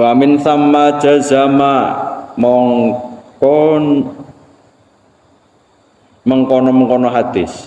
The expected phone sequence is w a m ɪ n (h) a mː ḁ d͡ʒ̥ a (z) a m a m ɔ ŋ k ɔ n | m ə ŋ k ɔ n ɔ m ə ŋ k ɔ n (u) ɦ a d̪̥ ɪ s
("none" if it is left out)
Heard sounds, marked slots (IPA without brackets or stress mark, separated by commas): θ, z, ɔ